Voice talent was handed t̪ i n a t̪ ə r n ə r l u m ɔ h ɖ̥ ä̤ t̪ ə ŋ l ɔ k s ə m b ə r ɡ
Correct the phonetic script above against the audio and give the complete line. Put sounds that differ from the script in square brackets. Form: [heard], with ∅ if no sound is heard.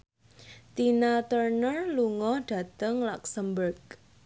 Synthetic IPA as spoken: t̪ i n a t̪ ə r n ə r l u [ŋ] ɔ h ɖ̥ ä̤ t̪ ə ŋ l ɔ k s ə m b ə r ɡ